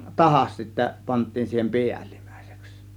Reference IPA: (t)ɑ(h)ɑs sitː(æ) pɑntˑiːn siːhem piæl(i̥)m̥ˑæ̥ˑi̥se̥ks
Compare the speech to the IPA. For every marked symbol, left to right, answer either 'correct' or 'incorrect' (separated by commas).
correct, correct, correct, correct